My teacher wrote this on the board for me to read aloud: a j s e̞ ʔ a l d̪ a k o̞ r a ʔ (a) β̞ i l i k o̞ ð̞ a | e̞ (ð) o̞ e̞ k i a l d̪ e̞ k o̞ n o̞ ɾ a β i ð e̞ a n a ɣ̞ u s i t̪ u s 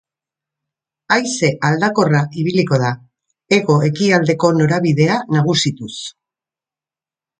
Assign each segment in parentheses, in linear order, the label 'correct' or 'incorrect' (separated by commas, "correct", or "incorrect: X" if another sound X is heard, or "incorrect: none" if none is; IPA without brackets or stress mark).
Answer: incorrect: i, incorrect: ɣ